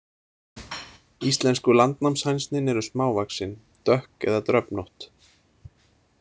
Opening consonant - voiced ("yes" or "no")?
no